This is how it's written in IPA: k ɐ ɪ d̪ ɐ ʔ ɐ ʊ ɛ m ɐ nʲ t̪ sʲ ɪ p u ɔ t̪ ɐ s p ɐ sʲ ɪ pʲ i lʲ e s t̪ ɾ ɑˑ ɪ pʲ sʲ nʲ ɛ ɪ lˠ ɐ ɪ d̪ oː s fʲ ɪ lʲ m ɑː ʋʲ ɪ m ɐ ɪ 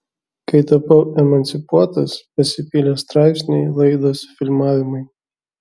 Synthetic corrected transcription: k ɐ ɪ t̪ ɐ p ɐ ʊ ɛ m ɐ nʲ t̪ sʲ ɪ p u ɔ t̪ ɐ s p ɐ sʲ ɪ pʲ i lʲ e s t̪ ɾ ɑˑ ɪ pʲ sʲ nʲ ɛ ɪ lˠ ɐ ɪ d̪ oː s fʲ ɪ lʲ m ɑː ʋʲ ɪ m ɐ ɪ